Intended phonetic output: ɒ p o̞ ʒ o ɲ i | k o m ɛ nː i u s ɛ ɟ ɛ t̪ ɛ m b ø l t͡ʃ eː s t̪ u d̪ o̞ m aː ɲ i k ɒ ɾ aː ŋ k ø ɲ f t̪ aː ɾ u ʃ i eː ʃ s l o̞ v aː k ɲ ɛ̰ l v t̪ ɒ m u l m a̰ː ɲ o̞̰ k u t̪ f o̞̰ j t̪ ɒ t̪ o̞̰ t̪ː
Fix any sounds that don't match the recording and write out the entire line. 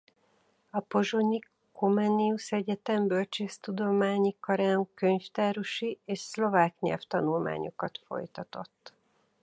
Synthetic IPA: ɒ p o̞ ʒ o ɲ i | k o m ɛ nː i u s ɛ ɟ ɛ t̪ ɛ m b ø l t͡ʃ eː s t̪ u d̪ o̞ m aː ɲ i k ɒ ɾ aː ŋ k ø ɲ f t̪ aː ɾ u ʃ i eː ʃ s l o̞ v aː k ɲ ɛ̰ l f t̪ ɒ n u l m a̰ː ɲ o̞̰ k ɒ t̪ f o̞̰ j t̪ ɒ t̪ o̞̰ t̪ː